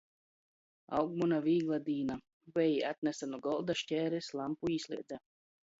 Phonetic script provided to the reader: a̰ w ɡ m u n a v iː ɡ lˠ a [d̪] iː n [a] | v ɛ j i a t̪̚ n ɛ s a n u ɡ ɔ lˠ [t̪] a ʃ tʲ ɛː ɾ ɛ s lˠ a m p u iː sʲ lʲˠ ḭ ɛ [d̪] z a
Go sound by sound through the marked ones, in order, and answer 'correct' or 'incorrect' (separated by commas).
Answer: correct, correct, incorrect, correct